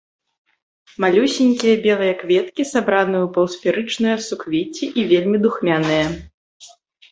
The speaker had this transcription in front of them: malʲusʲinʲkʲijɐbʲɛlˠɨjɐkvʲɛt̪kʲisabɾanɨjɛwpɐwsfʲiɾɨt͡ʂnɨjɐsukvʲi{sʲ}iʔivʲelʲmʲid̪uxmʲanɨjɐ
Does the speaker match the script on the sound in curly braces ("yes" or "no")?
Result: no